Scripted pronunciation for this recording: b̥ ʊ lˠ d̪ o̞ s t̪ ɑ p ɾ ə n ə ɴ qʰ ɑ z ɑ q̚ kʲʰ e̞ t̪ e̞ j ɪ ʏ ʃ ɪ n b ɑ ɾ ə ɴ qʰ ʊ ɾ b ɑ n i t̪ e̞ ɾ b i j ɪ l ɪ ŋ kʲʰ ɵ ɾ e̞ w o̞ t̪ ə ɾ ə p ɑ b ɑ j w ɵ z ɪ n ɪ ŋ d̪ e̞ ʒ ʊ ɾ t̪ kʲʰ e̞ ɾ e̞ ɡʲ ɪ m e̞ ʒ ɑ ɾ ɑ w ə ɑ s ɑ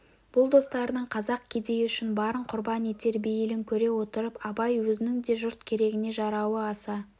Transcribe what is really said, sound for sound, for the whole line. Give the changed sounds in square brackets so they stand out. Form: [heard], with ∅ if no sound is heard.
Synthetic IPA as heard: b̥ ʊ lˠ d̪ o̞ s t̪ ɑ [∅] ɾ ə n ə ɴ qʰ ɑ z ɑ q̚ kʲʰ e̞ [d̪] e̞ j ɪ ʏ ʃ ɪ n b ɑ ɾ ə ɴ qʰ ʊ ɾ b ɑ n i t̪ e̞ ɾ b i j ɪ l ɪ ŋ kʲʰ ɵ ɾ e̞ w o̞ t̪ ə ɾ ə p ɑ b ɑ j w ɵ z ɪ n ɪ ŋ d̪ e̞ ʒ ʊ ɾ t̪ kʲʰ e̞ ɾ e̞ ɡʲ ɪ [n] e̞ ʒ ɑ ɾ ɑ w ə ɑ s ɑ